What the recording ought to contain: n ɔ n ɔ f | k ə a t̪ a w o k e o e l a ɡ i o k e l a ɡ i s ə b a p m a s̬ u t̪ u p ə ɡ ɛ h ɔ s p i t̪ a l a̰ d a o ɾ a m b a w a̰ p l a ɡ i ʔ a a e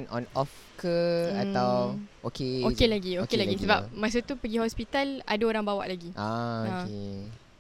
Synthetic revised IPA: n ɔ n ɔ f | k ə a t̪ a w o k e o e l a ɡ i o k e l a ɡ i s ə b a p m a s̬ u t̪ u p ə ɡ i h ɔ s p i t̪ a l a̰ d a o ɾ a ŋ b a w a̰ ʔ l a ɡ i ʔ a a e